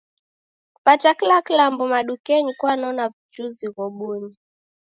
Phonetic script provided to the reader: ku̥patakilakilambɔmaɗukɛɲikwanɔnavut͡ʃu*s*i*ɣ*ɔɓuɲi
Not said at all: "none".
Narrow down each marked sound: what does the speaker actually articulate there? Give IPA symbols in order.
z, ɣ

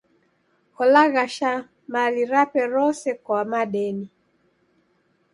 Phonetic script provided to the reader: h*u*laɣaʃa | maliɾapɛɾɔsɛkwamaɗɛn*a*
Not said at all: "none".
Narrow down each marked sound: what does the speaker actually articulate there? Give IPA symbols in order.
ɔ, i

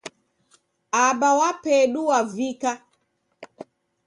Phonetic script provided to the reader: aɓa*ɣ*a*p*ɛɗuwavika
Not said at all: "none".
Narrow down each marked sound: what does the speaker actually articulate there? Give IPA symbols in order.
w, p

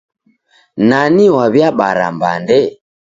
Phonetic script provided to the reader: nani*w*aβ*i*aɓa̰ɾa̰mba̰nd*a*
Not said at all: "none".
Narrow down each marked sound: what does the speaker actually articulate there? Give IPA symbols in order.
w, j, ɛ

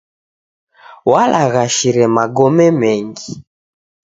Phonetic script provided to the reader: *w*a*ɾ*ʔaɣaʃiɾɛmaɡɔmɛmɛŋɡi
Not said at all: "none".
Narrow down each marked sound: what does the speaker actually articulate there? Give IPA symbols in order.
w, l

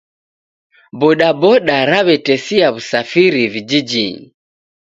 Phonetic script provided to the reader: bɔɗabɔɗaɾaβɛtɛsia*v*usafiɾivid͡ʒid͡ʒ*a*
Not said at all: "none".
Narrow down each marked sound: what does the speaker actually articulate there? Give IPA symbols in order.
β, i

